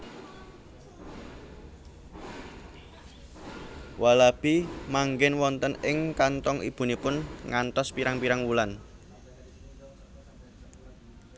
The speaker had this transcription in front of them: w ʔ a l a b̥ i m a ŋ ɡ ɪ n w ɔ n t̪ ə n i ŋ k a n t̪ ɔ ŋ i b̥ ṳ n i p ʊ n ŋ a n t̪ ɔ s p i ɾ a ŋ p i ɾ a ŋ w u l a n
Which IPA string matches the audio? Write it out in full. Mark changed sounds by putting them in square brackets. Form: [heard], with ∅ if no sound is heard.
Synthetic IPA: w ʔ a l a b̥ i m a ŋ ɡ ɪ n w ɔ n t̪ ə n [ɪ] ŋ k a n t̪ ɔ ŋ i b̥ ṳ n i p ʊ n ŋ a n t̪ ɔ s p i ɾ a ŋ p i ɾ a ŋ w u l a n

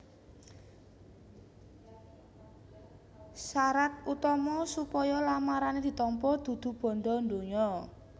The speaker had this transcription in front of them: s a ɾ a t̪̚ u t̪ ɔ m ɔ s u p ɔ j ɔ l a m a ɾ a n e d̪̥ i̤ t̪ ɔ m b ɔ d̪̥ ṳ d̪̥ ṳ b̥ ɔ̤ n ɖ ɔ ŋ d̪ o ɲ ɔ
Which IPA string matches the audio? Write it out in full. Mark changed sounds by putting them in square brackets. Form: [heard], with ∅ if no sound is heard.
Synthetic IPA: s a ɾ a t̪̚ u t̪ ɔ m ɔ s u p ɔ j ɔ l a m a ɾ a n e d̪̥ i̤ t̪ ɔ m [p] ɔ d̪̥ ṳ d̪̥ ṳ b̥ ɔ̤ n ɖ ɔ [n] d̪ o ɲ ɔ

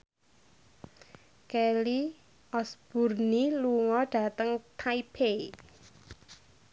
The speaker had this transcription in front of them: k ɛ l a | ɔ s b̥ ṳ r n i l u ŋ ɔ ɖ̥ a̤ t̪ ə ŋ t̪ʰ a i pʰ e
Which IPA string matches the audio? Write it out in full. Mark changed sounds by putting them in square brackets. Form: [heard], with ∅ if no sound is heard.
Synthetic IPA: k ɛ l [i] | ɔ s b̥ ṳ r n i l u ŋ ɔ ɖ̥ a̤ t̪ ə ŋ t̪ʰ a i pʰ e

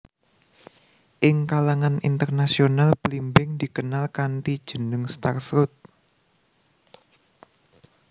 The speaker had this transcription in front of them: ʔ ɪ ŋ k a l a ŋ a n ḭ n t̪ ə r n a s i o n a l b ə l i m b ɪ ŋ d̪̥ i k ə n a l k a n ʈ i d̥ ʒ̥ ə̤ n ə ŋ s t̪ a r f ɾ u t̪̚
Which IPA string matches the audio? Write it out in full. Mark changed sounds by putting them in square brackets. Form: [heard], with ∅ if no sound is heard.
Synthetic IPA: ʔ ɪ ŋ k a l a ŋ a n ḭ n t̪ ə r n a s i o n a l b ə l i m b ɪ ŋ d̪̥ i k ə n a l k a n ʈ i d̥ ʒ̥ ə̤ n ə ŋ s t̪ a r f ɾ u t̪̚

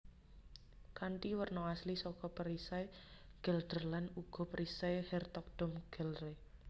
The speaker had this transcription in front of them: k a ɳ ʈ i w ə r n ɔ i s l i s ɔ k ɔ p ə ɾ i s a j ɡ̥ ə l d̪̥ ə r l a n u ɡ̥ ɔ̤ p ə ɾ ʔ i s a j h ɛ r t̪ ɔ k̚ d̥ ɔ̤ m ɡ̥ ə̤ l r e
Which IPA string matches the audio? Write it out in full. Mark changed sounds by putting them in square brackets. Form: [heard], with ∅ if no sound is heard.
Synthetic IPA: k a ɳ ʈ i w ə r n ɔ [a] s l i s ɔ k ɔ p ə ɾ i s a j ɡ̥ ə l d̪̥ ə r l a n u ɡ̥ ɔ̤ p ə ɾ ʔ i s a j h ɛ r t̪ ɔ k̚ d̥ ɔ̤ m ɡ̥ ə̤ l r e

